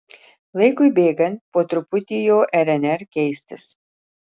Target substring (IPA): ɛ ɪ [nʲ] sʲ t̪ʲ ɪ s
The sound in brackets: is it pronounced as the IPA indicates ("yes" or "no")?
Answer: no